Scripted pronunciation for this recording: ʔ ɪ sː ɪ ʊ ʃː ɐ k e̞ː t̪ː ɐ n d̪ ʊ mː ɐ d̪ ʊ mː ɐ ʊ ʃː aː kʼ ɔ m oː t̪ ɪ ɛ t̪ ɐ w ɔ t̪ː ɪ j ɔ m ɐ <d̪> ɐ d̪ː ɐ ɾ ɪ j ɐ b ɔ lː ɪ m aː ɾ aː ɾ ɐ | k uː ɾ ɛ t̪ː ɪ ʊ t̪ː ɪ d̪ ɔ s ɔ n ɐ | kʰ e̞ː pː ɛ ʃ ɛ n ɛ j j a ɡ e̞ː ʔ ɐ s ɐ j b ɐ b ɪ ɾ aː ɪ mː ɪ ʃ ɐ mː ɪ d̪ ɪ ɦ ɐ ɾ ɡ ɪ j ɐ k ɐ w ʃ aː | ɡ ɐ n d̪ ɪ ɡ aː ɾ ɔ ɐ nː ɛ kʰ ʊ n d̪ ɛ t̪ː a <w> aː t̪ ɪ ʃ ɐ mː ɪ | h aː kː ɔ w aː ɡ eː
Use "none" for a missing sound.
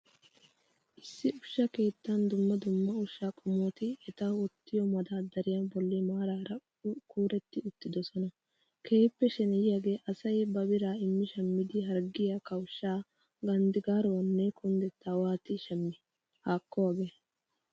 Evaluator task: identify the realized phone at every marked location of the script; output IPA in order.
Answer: d̪, w

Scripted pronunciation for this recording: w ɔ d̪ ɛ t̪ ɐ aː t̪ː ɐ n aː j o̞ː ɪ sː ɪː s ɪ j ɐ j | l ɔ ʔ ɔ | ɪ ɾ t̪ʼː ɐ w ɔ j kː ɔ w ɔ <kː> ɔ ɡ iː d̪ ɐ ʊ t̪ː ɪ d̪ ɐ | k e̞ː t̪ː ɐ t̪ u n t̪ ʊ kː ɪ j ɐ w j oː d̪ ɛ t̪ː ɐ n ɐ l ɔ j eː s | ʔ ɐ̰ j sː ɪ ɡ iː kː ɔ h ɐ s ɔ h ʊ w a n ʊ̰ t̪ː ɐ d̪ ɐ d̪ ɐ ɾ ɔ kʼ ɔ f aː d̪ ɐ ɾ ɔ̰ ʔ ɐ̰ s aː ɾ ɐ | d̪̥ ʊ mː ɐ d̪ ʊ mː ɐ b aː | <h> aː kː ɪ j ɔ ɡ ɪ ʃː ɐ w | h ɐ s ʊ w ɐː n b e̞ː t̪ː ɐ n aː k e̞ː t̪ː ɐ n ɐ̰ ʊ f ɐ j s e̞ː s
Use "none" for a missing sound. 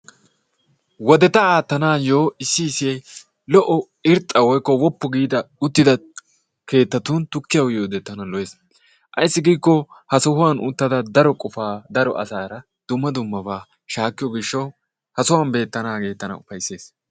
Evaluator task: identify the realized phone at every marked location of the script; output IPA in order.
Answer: pː, ʃ

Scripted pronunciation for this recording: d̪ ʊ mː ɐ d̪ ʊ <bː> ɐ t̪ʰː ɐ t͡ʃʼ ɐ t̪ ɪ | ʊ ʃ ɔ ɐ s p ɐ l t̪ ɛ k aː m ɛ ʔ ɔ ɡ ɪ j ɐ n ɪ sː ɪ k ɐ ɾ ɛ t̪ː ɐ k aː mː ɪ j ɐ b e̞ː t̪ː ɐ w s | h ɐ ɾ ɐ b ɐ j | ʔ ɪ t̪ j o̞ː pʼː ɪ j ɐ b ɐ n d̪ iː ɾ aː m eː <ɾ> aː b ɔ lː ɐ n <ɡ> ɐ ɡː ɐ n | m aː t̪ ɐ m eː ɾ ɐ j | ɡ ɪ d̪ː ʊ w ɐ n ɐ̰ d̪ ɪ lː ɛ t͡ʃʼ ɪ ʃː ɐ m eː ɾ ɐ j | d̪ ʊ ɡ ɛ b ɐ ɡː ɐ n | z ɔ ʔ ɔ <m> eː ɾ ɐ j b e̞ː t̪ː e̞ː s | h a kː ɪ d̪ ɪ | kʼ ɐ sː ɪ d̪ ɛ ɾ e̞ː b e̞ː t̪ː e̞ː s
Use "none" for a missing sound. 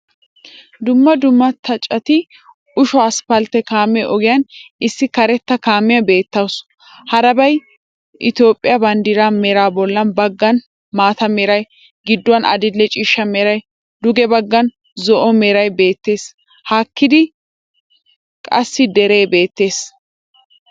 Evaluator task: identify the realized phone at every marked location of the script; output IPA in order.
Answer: mː, ɾ, b, m

